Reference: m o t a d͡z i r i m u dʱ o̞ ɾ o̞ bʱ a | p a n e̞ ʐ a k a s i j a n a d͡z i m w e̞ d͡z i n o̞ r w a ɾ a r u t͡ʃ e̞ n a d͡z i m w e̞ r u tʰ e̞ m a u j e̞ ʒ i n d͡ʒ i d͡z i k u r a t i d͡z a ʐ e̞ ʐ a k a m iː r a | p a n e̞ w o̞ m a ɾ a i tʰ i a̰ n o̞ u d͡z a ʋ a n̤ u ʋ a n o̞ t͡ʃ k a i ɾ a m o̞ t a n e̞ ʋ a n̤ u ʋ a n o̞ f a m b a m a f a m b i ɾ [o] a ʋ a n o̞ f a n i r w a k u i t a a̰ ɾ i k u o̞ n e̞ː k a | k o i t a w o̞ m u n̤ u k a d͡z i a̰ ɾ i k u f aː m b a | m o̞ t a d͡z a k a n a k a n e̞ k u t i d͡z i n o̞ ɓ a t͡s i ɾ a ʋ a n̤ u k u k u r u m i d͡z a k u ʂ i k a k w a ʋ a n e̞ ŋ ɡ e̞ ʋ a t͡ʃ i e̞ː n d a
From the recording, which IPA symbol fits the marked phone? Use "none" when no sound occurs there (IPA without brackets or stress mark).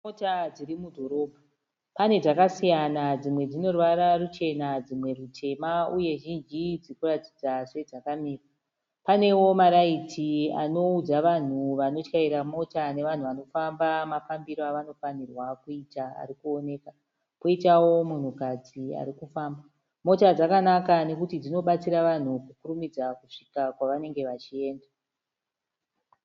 o